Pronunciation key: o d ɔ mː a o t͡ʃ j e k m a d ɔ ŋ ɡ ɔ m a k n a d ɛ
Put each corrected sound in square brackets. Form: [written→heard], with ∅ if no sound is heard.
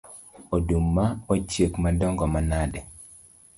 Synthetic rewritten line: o d [ɔ→u] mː a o t͡ʃ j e k m a d ɔ ŋ ɡ ɔ m a [k→∅] n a d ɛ